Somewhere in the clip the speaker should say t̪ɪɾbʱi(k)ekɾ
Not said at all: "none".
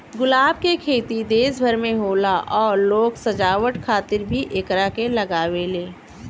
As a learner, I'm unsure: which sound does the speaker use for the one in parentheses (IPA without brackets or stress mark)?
ʔ